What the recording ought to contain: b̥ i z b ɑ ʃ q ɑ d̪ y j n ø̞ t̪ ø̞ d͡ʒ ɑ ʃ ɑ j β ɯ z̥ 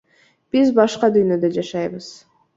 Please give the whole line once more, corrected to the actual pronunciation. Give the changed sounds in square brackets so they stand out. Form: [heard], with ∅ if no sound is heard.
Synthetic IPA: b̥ i z b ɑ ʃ q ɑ d̪ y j n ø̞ [d̪] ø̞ d͡ʒ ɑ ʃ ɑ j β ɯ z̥